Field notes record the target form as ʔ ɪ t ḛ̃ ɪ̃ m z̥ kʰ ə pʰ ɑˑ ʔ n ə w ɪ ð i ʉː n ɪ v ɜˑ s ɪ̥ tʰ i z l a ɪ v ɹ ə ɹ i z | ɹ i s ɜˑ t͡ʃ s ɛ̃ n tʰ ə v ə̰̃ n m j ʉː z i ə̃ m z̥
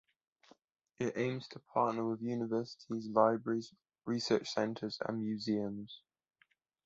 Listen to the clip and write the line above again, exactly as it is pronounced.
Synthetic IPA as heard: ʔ ɪ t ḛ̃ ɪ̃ m z̥ tʰ ə pʰ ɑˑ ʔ n ə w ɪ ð j ʉː n ɪ v ɜˑ s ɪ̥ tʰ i z l a ɪ b ɹ ə ɹ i z | ɹ i s ɜˑ t͡ʃ s ɛ̃ n tʰ ə z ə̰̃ n m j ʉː z i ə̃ m z̥